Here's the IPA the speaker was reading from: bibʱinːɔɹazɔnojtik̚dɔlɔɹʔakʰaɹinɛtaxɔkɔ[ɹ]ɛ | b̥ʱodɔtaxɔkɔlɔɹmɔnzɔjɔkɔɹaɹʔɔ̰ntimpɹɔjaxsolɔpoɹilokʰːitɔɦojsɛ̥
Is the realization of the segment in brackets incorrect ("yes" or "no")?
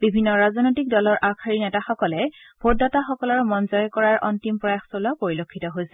yes